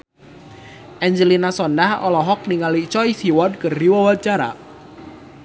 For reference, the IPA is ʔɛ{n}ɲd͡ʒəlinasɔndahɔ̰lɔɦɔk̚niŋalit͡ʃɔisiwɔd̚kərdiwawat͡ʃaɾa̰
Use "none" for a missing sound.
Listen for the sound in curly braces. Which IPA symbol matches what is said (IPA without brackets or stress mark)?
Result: none